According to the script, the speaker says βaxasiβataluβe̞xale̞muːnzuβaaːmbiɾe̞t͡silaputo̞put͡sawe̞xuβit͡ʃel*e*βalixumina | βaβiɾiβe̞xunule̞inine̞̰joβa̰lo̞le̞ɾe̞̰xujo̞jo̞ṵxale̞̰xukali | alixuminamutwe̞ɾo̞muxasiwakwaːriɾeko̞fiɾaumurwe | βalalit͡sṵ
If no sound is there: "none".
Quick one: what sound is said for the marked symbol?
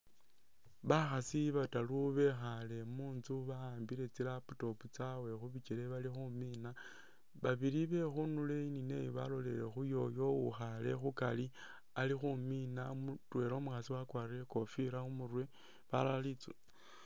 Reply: e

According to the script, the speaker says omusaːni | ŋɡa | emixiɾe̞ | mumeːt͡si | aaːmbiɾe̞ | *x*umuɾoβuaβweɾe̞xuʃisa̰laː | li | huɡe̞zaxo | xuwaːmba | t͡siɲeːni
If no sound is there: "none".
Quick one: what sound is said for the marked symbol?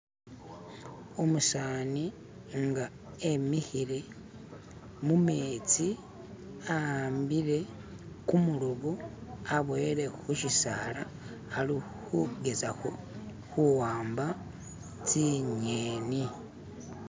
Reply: k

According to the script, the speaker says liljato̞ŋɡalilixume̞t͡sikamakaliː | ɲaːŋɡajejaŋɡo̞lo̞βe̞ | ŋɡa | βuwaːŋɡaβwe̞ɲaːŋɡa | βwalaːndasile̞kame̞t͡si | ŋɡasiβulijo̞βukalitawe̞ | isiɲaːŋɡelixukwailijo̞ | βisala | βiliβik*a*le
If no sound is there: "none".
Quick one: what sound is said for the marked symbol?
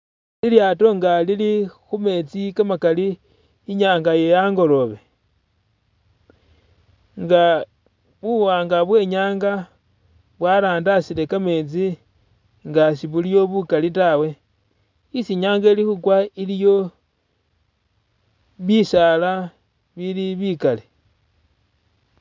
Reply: a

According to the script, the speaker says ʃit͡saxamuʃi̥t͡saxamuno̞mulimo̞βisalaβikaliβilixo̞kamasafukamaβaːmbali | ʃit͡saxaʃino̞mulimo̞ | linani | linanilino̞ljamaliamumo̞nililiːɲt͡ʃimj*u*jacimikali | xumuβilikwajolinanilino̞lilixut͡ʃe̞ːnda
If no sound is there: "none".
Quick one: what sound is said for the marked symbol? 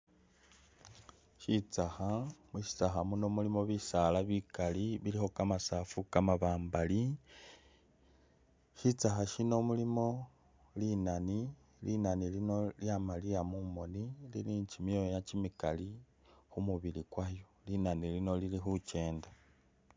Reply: o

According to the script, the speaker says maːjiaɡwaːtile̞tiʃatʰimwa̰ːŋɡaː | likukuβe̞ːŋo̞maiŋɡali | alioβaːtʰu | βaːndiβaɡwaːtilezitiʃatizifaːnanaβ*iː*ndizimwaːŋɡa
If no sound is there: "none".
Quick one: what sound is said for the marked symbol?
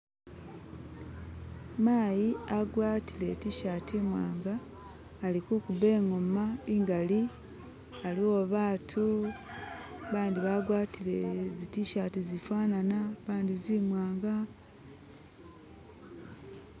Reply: aː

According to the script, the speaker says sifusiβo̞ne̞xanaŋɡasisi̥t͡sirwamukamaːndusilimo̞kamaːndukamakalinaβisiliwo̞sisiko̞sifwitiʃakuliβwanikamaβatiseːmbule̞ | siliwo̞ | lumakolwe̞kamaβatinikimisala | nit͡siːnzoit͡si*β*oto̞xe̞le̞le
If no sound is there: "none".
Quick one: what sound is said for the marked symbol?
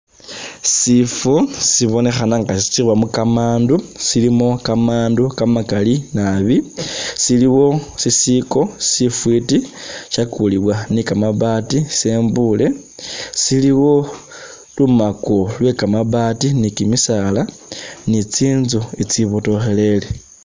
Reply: β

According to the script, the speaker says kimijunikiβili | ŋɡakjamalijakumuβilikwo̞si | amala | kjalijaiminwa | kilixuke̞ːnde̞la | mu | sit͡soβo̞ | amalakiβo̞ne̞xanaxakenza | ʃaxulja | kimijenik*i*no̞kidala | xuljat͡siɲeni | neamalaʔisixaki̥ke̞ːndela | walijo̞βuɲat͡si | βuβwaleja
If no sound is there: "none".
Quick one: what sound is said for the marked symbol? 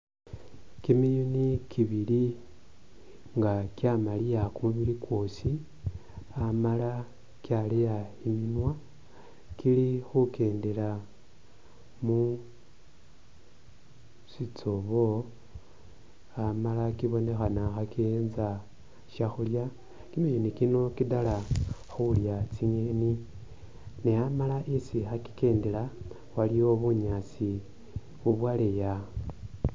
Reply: i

